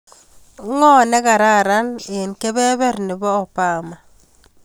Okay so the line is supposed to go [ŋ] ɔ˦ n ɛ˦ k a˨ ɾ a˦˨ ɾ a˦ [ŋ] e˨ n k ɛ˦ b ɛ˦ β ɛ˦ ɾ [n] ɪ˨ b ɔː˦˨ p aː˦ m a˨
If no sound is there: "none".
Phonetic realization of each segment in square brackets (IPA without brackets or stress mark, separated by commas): ŋ, n, n